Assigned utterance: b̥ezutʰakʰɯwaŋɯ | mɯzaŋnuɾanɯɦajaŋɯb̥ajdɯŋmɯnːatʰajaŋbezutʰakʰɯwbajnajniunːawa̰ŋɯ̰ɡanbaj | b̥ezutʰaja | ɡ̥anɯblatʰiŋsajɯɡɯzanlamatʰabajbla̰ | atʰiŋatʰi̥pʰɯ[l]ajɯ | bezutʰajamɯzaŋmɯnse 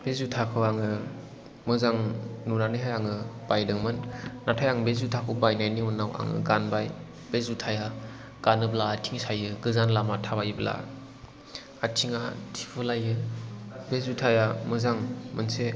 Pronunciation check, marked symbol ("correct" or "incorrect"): correct